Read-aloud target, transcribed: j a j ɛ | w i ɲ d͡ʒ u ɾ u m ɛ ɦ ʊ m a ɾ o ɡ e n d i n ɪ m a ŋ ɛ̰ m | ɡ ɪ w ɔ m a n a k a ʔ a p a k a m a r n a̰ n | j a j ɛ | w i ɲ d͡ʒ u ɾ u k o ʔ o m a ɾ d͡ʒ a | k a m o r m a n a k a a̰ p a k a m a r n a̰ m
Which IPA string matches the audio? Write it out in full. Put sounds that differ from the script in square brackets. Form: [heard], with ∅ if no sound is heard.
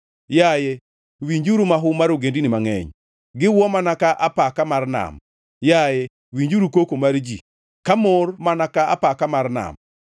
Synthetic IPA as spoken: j a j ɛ | w i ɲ d͡ʒ u ɾ u m [a] ɦ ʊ m a ɾ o ɡ e n d i n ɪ m a ŋ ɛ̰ [ɲ] | ɡ ɪ w ɔ m a n a k a ʔ a p a k a m a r n a̰ [m] | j a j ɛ | w i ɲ d͡ʒ u ɾ u k o [k] o m a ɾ d͡ʒ [i] | k a m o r m a n a k a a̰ p a k a m a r n a̰ m